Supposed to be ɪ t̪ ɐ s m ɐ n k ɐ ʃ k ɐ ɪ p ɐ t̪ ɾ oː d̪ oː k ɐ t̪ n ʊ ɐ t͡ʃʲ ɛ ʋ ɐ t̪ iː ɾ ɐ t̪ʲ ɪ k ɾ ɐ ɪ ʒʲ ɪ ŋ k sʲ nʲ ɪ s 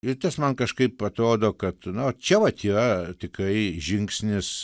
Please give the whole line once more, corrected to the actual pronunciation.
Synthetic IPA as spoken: ɪ t̪ ɐ s m ɐ n k ɐ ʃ k ɐ ɪ p ɐ t̪ ɾ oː d̪ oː k ɐ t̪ n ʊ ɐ t͡ʃʲ ɛ ʋ ɐ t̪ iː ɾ ɐ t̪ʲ ɪ k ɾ ɐ ɪ ʒʲ ɪ ŋ k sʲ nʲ ɪ s